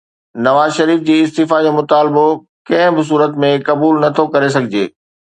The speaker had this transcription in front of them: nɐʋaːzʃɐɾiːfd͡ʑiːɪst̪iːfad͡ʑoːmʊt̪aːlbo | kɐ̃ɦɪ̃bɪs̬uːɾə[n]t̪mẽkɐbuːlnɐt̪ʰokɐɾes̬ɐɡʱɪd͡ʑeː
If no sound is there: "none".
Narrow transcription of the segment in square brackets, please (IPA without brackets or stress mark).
none